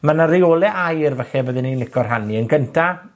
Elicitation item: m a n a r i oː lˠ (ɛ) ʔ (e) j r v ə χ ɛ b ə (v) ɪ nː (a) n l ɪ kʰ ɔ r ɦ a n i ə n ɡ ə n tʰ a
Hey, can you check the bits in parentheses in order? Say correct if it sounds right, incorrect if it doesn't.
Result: correct, incorrect: a, incorrect: ð, incorrect: i

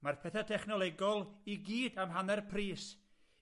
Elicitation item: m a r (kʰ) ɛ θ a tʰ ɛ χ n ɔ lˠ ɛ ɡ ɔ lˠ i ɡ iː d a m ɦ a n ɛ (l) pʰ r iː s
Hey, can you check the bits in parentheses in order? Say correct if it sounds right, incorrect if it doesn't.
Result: incorrect: pʰ, incorrect: r

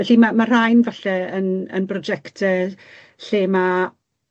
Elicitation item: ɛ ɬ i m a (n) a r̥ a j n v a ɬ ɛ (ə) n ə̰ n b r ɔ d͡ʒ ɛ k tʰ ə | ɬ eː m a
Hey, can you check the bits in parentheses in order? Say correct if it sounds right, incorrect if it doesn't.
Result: incorrect: m, correct

